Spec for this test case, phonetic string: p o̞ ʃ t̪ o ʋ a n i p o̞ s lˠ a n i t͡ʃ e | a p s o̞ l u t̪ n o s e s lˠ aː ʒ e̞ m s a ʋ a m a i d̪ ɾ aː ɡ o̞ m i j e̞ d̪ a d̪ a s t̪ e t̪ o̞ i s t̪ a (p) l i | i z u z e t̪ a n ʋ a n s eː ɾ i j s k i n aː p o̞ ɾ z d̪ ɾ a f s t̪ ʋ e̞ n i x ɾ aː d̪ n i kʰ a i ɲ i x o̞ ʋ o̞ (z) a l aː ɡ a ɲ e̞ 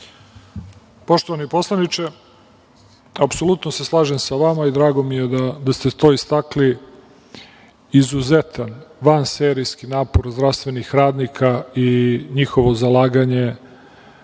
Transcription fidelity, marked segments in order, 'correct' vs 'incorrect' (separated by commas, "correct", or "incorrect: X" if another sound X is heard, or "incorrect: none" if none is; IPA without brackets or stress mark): incorrect: k, correct